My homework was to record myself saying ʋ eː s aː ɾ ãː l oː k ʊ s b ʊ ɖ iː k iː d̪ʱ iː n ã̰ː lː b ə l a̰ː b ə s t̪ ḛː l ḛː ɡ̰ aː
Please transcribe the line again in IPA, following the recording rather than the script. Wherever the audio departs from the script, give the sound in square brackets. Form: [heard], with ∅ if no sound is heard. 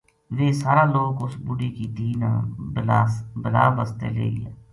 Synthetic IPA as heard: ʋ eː s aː ɾ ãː l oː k ʊ s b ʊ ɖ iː k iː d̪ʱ iː n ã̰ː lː b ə l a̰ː b ə s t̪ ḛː l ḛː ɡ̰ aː